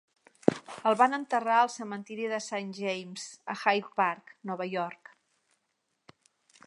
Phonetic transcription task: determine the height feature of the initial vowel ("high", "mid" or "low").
mid